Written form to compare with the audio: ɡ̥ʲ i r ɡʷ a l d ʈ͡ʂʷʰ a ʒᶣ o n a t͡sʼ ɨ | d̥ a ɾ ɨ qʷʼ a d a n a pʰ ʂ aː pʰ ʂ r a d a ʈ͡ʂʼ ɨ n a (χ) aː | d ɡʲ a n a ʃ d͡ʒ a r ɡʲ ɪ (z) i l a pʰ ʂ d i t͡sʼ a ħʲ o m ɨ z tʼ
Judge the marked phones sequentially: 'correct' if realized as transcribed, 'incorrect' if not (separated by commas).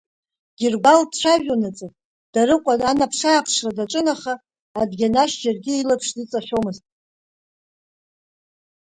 correct, incorrect